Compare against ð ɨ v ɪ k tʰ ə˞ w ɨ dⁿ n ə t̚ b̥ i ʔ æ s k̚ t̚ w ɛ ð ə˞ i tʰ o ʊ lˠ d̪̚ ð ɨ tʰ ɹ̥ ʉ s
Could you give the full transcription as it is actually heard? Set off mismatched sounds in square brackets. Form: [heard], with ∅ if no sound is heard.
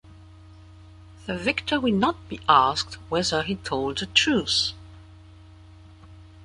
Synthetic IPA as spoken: ð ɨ v ɪ k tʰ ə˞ w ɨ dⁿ n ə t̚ b̥ i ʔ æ s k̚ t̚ w ɛ ð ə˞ i tʰ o ʊ lˠ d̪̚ ð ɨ tʰ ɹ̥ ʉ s